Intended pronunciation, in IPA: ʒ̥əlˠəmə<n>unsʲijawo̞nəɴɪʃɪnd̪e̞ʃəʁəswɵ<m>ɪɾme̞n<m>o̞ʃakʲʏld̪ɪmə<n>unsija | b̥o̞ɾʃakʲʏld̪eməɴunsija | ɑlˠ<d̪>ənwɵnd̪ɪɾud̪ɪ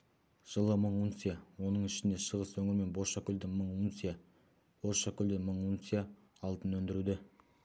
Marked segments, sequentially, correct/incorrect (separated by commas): incorrect, incorrect, incorrect, incorrect, incorrect